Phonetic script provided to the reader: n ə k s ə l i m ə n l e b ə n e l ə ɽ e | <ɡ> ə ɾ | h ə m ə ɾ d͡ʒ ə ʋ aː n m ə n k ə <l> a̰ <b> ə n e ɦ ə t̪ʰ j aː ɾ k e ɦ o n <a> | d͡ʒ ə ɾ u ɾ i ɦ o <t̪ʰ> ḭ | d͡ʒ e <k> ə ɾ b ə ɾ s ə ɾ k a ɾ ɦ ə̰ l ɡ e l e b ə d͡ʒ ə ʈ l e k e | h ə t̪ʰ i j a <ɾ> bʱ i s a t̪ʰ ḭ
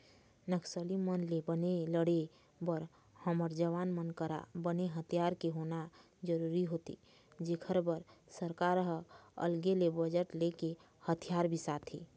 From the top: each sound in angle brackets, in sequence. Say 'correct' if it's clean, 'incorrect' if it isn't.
incorrect: b, incorrect: ɾ, correct, correct, incorrect: t̪, incorrect: kʰ, correct

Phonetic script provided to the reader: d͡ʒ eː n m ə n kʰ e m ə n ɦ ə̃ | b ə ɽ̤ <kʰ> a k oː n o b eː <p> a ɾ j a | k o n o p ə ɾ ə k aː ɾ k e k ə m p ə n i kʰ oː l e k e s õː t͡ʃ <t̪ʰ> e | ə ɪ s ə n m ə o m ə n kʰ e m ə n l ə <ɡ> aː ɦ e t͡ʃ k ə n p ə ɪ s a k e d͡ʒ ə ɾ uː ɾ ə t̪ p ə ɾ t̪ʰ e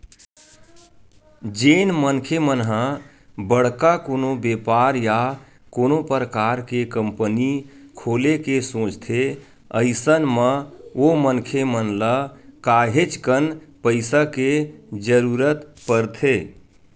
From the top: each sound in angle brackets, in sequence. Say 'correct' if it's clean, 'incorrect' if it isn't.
incorrect: k, correct, correct, incorrect: k

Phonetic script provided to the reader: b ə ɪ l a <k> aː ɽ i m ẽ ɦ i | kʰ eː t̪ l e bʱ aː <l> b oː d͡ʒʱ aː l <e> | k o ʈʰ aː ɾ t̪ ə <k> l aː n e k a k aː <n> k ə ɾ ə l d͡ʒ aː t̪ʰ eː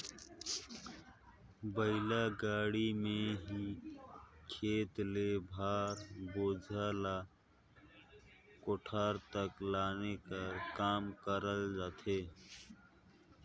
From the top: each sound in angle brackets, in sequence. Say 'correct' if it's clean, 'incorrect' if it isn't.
incorrect: ɡ, incorrect: ɾ, incorrect: a, correct, incorrect: m

